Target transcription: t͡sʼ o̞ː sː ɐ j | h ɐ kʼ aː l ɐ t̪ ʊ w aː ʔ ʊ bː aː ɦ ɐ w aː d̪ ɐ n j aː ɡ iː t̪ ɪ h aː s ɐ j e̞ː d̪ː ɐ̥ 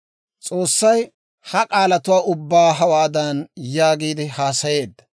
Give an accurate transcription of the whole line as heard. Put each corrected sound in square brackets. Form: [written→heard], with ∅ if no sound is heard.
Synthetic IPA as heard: t͡sʼ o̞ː sː ɐ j | h ɐ kʼ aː l ɐ t̪ ʊ w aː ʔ ʊ bː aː ɦ ɐ w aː d̪ ɐ n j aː ɡ iː [t̪→d̪] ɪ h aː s ɐ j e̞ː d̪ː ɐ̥